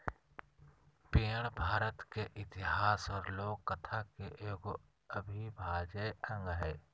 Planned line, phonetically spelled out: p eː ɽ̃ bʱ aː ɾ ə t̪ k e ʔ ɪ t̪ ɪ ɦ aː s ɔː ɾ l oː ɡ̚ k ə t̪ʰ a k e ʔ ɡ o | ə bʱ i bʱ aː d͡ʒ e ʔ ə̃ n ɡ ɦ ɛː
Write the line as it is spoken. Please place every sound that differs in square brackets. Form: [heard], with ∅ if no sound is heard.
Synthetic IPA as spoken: p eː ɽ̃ bʱ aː ɾ ə t̪ k e ʔ ɪ t̪ ɪ ɦ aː s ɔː ɾ l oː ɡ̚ k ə t̪ʰ a k e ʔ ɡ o | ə bʱ i bʱ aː d͡ʒ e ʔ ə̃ [ŋ] ɡ ɦ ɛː